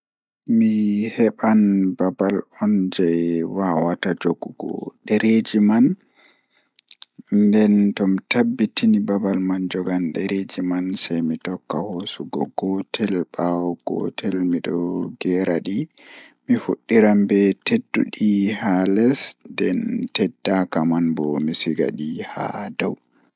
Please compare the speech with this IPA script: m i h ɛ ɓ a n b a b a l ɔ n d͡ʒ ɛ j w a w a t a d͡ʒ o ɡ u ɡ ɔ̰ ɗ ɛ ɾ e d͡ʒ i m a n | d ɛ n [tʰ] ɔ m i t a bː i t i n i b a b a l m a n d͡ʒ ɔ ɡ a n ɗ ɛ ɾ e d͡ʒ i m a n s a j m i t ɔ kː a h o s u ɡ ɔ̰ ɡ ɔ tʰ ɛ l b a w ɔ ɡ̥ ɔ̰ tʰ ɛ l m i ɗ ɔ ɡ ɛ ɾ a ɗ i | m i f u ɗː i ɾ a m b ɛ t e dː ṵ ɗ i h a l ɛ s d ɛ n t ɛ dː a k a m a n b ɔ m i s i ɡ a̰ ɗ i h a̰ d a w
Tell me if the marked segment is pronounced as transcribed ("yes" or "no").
no